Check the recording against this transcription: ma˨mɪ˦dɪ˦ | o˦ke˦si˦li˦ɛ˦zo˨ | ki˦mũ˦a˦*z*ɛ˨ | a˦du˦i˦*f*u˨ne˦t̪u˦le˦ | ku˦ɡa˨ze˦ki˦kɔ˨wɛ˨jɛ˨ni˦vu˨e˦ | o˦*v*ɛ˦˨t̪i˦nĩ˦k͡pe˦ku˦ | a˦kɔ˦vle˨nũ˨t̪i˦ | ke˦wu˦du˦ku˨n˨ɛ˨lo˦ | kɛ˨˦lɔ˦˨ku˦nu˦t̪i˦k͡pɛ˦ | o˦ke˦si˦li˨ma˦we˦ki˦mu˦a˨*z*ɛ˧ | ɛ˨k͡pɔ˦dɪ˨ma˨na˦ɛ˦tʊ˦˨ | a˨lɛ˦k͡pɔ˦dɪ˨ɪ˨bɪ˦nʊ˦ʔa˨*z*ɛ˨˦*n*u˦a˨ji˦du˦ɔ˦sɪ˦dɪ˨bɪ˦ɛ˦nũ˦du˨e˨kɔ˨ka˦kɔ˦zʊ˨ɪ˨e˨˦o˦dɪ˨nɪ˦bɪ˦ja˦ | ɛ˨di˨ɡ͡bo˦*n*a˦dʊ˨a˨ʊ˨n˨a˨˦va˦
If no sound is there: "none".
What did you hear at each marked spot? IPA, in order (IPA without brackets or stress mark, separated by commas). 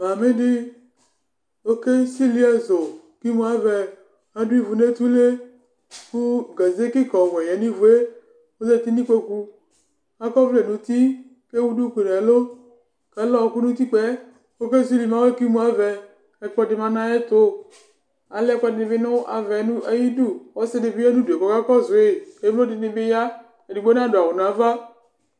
v, v, z, v, v, n, n